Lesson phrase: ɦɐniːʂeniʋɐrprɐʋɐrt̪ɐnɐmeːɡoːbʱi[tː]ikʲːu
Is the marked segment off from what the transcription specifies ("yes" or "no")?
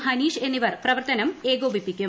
yes